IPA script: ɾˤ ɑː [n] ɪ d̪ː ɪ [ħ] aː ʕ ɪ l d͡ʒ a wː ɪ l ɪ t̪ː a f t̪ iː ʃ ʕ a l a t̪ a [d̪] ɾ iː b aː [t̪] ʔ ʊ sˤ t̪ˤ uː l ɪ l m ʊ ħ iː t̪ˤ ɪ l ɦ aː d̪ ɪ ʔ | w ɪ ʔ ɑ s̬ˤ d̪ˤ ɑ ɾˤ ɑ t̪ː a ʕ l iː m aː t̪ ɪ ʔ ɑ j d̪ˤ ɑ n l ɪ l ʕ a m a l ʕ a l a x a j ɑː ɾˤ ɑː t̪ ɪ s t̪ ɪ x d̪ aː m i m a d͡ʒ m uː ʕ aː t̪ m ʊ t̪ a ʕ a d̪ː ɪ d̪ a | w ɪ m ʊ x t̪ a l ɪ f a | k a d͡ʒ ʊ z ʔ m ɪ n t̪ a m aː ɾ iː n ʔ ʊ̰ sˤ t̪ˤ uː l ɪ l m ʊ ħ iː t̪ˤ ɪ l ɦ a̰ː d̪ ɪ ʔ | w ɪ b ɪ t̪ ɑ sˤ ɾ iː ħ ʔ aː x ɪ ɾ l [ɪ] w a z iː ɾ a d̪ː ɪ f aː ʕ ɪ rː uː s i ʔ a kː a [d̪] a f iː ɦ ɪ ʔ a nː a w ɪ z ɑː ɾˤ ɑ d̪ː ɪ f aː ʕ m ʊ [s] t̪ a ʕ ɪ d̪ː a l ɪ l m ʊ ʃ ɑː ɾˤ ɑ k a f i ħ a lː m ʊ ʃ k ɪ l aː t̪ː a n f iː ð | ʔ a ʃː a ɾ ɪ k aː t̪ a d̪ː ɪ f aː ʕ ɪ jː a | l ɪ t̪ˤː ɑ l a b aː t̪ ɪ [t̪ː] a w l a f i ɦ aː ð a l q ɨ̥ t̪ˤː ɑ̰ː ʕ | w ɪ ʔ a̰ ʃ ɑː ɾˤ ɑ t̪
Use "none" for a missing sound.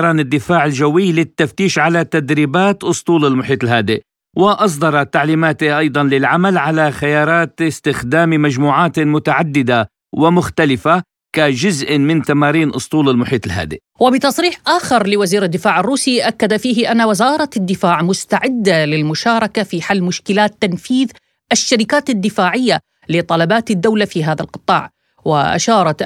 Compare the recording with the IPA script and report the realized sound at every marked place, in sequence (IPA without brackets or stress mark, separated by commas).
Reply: n, f, d̪, t̪, ɪ, d̪, s, d̪ː